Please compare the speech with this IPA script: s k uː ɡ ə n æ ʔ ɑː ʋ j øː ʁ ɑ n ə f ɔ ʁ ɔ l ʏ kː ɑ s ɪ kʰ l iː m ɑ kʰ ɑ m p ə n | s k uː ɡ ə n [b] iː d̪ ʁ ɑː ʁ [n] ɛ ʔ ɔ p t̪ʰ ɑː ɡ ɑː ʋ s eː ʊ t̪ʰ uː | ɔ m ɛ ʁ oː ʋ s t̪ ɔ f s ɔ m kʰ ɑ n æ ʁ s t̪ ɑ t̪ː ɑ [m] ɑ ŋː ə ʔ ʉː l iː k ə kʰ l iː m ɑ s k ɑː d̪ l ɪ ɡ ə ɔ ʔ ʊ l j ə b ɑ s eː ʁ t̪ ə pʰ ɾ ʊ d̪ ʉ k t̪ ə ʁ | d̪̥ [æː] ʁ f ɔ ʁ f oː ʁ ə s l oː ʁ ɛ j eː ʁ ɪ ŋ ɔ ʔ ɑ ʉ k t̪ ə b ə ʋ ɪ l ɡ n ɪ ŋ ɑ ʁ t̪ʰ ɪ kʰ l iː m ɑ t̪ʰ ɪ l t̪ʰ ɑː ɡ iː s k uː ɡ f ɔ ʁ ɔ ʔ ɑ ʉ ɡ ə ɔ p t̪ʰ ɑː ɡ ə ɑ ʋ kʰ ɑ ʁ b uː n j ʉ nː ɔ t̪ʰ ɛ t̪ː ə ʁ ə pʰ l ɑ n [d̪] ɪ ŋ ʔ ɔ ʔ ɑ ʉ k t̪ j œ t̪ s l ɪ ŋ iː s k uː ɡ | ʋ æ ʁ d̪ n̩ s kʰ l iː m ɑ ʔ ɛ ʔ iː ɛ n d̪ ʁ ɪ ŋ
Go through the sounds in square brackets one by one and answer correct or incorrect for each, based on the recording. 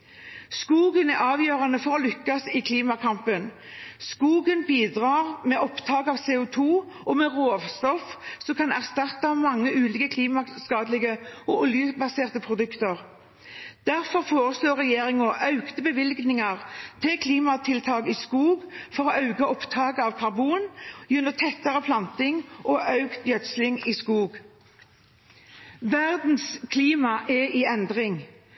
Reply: correct, incorrect: m, correct, incorrect: æ, incorrect: t̪

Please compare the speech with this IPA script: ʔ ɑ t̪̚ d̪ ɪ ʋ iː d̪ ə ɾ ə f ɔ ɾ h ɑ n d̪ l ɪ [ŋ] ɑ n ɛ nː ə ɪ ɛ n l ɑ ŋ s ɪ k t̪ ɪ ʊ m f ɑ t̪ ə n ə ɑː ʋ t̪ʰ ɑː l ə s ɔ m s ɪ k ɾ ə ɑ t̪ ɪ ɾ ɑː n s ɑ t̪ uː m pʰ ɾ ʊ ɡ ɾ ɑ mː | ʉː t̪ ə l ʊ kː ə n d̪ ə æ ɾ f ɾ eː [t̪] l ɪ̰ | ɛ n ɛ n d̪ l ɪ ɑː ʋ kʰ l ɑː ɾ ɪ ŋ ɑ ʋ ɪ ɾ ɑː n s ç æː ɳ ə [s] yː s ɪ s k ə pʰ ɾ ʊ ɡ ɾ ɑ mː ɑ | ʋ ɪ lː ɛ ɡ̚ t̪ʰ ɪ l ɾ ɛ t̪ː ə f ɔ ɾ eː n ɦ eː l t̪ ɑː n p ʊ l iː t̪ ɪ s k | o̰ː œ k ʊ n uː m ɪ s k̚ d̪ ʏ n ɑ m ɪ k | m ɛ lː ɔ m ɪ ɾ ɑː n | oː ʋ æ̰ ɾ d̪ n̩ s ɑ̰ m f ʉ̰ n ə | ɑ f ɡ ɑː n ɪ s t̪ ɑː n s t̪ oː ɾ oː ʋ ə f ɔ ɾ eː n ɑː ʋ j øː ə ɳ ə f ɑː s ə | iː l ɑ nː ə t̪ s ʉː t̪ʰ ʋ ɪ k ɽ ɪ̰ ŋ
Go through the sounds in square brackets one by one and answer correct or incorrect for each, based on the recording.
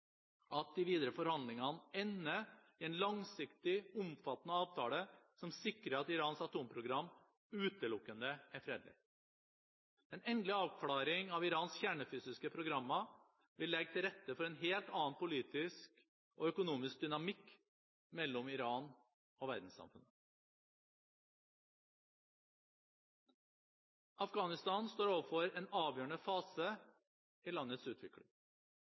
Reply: correct, incorrect: d̪, incorrect: f

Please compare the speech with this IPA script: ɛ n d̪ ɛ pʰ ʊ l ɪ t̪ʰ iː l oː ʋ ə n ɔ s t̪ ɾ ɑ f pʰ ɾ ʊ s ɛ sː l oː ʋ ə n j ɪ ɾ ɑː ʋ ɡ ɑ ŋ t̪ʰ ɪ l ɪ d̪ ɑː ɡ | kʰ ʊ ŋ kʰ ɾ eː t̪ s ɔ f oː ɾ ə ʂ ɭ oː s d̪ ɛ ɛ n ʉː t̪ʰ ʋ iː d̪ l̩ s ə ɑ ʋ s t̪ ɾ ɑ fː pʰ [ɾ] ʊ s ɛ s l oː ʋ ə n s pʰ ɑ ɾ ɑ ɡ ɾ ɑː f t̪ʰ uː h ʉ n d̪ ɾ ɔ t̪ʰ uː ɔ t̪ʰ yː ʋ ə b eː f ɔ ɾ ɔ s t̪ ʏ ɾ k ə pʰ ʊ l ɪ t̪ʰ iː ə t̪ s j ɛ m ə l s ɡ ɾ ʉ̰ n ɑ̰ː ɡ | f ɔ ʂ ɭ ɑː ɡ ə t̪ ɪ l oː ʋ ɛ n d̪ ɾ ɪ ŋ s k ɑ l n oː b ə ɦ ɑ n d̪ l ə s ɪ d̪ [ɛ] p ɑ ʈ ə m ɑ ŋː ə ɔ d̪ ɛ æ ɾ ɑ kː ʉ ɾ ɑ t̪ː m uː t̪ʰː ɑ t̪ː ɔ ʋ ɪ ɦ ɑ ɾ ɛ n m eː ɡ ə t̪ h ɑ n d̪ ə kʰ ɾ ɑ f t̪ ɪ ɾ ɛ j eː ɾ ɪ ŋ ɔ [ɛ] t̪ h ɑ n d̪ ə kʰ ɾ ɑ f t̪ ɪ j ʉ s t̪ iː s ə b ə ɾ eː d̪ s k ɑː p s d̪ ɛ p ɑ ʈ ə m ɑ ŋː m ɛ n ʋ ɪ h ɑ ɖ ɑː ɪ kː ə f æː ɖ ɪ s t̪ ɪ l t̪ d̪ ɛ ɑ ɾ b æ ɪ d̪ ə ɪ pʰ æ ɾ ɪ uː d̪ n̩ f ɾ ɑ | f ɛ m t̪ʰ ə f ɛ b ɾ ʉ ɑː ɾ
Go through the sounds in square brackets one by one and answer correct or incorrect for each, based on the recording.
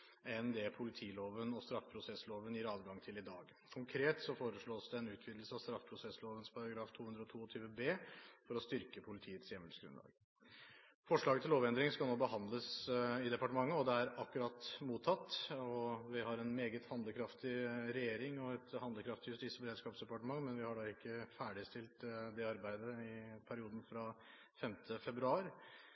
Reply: correct, correct, correct

